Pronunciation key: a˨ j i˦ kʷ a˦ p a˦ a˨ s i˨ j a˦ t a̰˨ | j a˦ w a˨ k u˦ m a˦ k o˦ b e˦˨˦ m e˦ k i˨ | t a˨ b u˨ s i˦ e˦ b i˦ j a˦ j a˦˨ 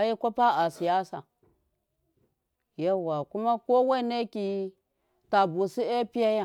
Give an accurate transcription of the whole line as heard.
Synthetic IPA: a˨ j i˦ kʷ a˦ p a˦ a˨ s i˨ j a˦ s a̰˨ | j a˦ w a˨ k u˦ m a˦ k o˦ w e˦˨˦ n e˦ k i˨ | t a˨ b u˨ s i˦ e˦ p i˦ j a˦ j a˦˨